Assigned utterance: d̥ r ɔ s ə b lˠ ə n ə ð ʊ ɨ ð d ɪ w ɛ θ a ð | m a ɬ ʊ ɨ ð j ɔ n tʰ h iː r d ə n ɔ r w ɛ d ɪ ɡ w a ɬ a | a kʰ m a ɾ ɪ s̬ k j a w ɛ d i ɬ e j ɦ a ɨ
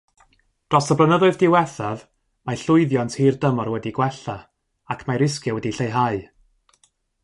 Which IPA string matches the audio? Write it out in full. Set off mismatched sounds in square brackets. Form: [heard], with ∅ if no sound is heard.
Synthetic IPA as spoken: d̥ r ɔ s ə b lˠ ə n ə ð ʊ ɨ ð d ɪ w ɛ θ a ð | m a ɬ ʊ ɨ ð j ɔ n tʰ h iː r d ə [m] ɔ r w ɛ d [i] ɡ w [ɛ] ɬ a | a kʰ m a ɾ ɪ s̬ k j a w ɛ d i ɬ e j ɦ a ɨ